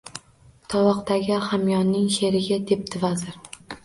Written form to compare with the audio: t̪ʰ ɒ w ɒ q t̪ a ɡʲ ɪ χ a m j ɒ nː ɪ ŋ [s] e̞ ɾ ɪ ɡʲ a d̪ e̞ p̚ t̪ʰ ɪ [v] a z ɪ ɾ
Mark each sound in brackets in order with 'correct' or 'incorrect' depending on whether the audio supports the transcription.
incorrect, correct

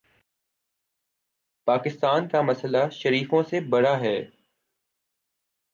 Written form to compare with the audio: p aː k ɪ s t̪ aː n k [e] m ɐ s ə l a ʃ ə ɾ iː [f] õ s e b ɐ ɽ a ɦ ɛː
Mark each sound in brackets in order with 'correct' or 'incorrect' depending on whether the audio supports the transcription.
incorrect, correct

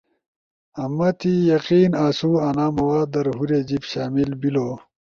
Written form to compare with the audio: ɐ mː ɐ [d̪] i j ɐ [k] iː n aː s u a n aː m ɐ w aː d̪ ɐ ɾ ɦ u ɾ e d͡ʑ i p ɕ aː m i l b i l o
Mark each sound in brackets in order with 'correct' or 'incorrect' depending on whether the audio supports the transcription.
incorrect, incorrect

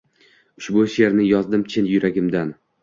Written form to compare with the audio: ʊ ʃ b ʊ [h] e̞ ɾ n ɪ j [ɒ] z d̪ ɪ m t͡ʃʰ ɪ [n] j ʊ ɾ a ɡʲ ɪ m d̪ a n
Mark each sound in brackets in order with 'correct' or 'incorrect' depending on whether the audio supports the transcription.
incorrect, correct, correct

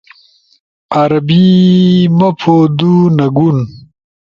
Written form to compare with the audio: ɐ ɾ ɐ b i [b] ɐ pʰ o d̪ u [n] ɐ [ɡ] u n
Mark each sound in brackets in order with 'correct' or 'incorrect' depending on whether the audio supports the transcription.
incorrect, correct, correct

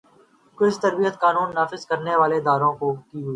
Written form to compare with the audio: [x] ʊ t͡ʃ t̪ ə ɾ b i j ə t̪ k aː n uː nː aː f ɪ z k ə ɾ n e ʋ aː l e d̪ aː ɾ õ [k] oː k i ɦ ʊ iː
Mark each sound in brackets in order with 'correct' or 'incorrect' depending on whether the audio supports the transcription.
incorrect, correct

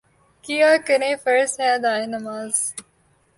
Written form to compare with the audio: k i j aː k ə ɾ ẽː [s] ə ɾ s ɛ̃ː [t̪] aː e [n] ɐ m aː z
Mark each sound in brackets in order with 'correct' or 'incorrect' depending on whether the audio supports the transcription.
incorrect, incorrect, correct

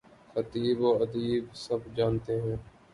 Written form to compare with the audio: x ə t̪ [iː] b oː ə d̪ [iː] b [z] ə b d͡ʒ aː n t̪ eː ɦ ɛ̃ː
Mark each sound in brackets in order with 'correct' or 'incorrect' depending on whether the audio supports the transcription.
correct, correct, incorrect

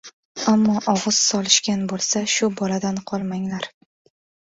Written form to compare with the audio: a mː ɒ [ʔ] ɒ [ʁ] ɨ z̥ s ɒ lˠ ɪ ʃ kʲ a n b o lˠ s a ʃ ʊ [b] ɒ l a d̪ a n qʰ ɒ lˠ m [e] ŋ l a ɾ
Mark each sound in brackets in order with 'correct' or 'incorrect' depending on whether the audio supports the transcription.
correct, correct, correct, incorrect

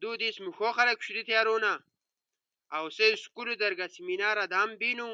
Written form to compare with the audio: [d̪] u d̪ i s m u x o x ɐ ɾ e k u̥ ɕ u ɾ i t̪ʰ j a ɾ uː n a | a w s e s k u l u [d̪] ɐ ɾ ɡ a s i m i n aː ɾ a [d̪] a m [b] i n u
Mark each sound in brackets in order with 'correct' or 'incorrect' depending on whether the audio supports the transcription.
correct, correct, correct, correct

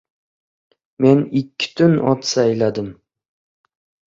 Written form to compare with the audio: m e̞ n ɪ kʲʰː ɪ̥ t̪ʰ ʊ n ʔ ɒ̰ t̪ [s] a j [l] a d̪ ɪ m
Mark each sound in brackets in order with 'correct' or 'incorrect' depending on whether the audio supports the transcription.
correct, correct

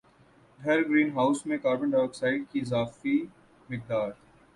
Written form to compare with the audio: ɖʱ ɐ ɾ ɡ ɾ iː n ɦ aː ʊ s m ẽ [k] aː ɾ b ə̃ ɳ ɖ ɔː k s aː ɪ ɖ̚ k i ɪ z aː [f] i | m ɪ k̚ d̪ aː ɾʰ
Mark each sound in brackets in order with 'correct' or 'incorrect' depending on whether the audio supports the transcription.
correct, correct

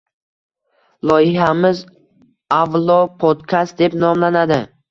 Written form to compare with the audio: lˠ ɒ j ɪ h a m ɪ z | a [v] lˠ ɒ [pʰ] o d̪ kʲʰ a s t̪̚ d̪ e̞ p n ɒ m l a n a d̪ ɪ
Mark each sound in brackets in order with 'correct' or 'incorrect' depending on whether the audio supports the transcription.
correct, correct

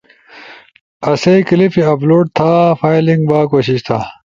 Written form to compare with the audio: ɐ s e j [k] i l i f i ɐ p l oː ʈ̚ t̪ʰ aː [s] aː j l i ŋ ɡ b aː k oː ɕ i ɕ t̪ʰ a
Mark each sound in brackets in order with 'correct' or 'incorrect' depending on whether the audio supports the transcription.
correct, incorrect

